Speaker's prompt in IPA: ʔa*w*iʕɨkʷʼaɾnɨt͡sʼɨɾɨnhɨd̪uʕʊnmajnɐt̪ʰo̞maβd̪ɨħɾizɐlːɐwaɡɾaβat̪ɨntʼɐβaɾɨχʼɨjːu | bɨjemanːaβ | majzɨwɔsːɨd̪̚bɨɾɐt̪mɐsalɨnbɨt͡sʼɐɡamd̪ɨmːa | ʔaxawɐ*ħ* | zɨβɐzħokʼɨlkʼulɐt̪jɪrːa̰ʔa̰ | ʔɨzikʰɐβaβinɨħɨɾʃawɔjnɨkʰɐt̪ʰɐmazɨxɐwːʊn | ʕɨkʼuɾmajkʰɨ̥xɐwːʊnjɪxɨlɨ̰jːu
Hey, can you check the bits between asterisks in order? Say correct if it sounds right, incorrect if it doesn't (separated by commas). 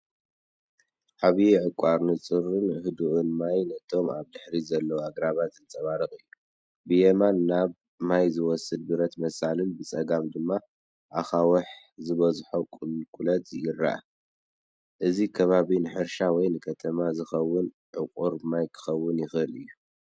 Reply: incorrect, correct